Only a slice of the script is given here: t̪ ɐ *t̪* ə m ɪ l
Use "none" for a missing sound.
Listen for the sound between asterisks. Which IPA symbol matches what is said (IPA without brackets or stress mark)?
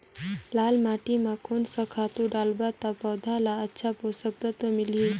t̪